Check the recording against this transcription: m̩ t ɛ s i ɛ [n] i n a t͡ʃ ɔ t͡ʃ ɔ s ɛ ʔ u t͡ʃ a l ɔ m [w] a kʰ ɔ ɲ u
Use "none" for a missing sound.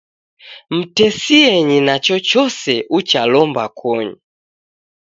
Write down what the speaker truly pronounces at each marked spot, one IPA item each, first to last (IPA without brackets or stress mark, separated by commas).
ɲ, b